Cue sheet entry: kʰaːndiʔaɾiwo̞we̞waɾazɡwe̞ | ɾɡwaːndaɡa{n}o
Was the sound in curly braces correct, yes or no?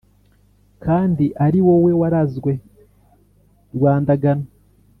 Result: yes